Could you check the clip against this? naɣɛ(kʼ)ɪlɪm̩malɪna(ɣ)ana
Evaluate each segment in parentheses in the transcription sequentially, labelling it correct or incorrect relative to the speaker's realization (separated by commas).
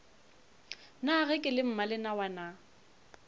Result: correct, incorrect